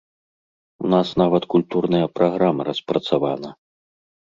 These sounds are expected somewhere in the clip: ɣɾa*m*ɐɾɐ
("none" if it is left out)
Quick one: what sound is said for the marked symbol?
m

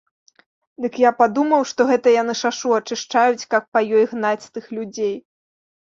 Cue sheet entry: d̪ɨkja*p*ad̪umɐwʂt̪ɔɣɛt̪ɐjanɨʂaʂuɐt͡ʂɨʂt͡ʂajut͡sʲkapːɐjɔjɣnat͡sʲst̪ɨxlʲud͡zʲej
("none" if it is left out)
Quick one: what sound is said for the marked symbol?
p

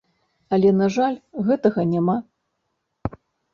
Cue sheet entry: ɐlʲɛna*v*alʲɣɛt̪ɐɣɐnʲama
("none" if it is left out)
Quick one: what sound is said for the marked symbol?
ʐ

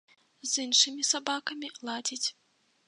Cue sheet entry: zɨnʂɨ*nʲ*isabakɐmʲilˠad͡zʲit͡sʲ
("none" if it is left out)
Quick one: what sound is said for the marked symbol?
mʲ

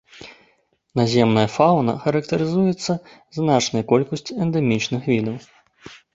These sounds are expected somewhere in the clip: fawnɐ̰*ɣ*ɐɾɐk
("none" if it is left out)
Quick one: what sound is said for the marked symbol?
x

